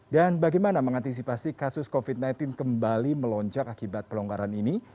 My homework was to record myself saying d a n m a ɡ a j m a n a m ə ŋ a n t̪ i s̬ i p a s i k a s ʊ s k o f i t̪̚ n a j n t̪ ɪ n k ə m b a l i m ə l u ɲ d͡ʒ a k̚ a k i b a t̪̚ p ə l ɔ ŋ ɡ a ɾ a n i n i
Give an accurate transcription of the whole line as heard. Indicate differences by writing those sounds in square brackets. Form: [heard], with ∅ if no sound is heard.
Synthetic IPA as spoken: d a n [b] a ɡ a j m a n a m ə ŋ a n t̪ i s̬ i p a s i k a s ʊ s k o f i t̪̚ n a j n t̪ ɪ n k ə m b a l i m ə l [ɔ] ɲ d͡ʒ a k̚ a k i b a t̪̚ p ə l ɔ ŋ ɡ a ɾ a n i n i